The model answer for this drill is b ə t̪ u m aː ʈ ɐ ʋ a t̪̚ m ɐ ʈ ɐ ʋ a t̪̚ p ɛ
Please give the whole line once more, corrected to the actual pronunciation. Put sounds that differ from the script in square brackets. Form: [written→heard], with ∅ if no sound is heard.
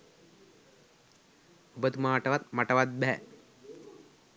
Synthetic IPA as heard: b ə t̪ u m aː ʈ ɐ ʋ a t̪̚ m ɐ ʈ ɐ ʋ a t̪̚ [p→b] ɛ

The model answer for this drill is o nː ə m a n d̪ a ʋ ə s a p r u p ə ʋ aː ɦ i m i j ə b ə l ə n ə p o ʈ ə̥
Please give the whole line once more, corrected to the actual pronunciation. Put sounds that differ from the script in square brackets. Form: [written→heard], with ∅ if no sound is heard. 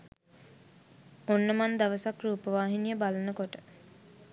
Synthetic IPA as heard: o nː ə m a n d̪ a ʋ ə s a [p→k] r [u→uː] p ə ʋ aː ɦ i [m→n] i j ə b [ə→a] l ə n ə [p→k] o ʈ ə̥

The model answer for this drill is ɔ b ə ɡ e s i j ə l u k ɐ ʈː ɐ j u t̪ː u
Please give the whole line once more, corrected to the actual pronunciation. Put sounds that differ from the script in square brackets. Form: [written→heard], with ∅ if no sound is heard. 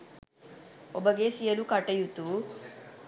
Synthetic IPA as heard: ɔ b [ə→ɐ] ɡ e s i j [ə→ɐ] l u k ɐ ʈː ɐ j u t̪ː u

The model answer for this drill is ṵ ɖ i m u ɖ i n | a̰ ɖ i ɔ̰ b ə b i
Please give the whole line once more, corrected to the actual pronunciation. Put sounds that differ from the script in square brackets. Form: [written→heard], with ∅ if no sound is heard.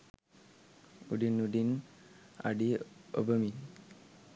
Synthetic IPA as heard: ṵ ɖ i [m→n] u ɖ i n | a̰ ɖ i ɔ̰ b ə [b→m] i

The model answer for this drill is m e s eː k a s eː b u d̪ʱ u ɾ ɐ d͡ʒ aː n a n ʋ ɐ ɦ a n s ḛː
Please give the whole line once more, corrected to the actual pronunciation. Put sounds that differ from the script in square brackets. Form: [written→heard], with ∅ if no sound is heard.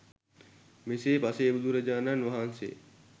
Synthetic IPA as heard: m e s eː [k→p] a s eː b u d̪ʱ u ɾ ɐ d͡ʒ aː n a n ʋ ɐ ɦ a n s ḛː

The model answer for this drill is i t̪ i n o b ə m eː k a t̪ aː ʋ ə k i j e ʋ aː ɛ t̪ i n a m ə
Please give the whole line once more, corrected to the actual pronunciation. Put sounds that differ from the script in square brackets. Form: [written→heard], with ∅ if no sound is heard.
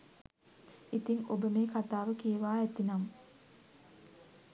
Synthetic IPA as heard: i t̪ i [n→ŋ] o b ə m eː k a t̪ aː ʋ ə k i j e ʋ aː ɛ t̪ i n a m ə

